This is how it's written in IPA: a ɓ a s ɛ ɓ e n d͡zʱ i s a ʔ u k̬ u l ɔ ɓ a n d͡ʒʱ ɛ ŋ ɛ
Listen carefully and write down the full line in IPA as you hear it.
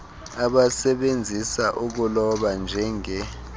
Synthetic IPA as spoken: a ɓ a s ɛ ɓ e n d͡zʱ i s a ʔ u k̬ u l ɔ ɓ a n d͡ʒʱ ɛ ŋ ɛ